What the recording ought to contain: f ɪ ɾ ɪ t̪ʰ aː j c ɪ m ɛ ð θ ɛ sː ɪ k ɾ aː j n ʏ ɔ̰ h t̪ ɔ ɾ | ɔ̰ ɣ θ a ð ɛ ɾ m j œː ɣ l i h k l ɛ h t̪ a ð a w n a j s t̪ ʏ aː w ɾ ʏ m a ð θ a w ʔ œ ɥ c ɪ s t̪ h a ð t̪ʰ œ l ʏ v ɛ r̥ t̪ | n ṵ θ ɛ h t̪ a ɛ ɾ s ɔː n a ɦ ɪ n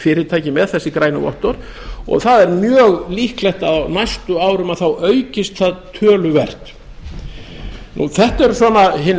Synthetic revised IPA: f ɪ ɾ ɪ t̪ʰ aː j c ɪ m ɛ ð θ ɛ sː ɪ k ɾ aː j n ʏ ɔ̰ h t̪ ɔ ɾ | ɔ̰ ɣ θ a ð ɛ ɾ m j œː ɣ l i h k l ɛ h t̪ a ð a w n a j s t̪ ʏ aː w ɾ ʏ m a ð θ a w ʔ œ ɥ c ɪ s t̪ θ a ð t̪ʰ œː l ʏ v ɛ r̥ t̪ | n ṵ θ ɛ h t̪ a ɛ ɾ s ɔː n a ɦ ɪ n